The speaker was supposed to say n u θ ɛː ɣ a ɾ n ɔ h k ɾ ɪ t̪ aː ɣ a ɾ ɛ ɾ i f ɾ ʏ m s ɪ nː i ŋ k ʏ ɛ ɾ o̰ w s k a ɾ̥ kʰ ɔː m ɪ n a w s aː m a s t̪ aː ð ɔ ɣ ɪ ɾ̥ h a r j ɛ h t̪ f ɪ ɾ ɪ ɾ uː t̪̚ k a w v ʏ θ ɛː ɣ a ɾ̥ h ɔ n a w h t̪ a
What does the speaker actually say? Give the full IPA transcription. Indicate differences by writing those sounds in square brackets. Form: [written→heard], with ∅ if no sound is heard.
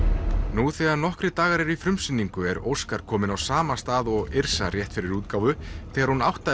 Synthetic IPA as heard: n u θ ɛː ɣ a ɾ n ɔ h k ɾ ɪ t̪ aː ɣ a ɾ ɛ ɾ i f ɾ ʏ m s ɪ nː i ŋ k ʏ ɛ ɾ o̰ w s k a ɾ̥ kʰ ɔː m ɪ n a w s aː m a s t̪ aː ð ɔ ɣ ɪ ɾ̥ [h→s] a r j ɛ h t̪ f ɪ ɾ ɪ ɾ uː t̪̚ k a w v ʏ θ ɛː ɣ a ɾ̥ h [ɔ→u] n a w h t̪ a